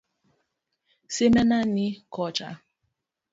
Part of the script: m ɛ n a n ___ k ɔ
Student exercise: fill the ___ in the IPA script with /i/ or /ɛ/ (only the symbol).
i